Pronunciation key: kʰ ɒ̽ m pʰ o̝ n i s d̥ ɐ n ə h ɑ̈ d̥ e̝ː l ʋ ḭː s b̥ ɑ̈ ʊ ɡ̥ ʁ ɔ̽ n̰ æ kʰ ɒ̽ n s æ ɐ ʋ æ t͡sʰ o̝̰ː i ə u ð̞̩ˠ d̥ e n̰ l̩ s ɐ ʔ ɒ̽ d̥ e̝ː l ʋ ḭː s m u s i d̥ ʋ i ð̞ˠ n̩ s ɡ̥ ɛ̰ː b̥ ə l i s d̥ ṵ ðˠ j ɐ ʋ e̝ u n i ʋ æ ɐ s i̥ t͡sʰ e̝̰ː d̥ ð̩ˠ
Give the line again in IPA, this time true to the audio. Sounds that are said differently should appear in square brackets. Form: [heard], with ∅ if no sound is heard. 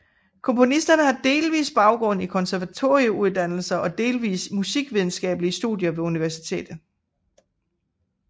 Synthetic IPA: kʰ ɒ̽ m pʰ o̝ n i s d̥ ɐ n ə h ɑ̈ d̥ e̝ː l ʋ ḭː s b̥ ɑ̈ ʊ ɡ̥ ʁ ɔ̽ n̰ [i] kʰ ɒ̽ n s æ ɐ ʋ æ t͡sʰ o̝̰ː i ə u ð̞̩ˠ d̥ [æ] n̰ l̩ s ɐ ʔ ɒ̽ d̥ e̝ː l ʋ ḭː s m u s i [ɡ̥] ʋ i ð̞ˠ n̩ s ɡ̥ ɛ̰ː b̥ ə l i s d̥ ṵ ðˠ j ɐ ʋ e̝ u n i ʋ æ ɐ s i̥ t͡sʰ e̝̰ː d̥ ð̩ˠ